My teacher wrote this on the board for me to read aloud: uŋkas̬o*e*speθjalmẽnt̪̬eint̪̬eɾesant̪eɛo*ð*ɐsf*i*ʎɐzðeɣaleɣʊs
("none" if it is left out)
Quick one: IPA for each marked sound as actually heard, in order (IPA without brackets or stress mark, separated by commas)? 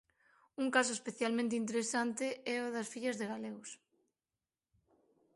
e, ð, i